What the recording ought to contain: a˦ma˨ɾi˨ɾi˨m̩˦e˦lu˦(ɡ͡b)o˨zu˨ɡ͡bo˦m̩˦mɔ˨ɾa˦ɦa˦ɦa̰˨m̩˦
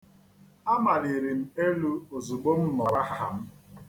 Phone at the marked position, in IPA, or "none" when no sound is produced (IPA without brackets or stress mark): none